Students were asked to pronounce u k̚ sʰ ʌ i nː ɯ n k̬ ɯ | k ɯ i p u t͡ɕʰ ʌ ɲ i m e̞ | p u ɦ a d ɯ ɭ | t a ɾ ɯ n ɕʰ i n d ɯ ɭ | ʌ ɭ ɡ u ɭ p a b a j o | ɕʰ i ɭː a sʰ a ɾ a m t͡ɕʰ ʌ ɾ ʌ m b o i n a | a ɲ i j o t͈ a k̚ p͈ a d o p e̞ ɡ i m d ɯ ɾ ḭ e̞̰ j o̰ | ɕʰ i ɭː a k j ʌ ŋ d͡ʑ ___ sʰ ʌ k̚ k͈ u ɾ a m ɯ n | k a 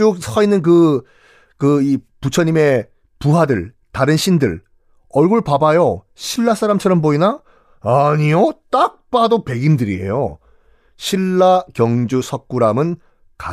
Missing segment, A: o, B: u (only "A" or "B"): B